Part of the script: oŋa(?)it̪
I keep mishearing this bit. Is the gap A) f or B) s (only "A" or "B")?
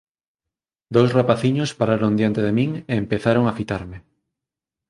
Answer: A